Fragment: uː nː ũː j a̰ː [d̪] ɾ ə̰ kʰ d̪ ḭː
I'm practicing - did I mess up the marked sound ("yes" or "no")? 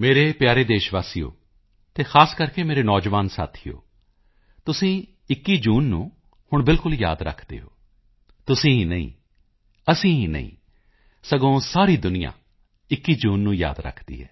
no